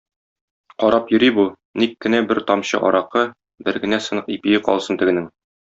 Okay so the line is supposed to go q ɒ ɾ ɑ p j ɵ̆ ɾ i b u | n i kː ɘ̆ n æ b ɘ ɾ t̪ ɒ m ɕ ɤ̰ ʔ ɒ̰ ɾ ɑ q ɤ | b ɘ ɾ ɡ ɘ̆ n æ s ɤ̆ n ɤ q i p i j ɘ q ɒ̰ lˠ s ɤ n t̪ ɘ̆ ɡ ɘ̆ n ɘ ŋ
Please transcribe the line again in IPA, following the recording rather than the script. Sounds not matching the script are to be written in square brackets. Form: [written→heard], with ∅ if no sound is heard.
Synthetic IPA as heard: q ɒ ɾ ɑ p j ɵ̆ ɾ i b u | n i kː ɘ̆ n æ b ɘ ɾ t̪ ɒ m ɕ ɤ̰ ʔ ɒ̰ ɾ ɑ q ɤ | b ɘ ɾ ɡ ɘ̆ n æ s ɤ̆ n ɤ q i p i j ɘ q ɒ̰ lˠ s ɤ n t̪ ɘ̆ ɡ ɘ̆ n ɘ ŋ